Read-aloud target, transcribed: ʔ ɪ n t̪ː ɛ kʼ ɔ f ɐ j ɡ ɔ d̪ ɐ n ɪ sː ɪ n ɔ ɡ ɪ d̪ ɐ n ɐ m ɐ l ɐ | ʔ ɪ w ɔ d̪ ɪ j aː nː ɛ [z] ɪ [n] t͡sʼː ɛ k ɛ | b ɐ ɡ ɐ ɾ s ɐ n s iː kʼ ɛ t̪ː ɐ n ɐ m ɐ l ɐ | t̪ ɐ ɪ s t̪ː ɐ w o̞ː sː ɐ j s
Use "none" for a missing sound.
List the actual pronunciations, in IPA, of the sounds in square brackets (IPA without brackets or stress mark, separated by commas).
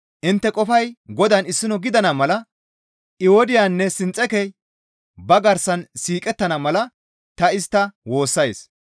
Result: s, n